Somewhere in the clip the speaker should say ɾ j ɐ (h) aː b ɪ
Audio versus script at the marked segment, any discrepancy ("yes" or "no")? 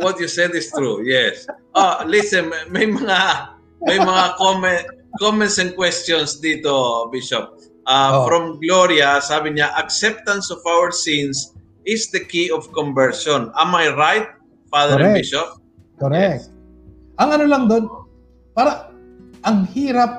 yes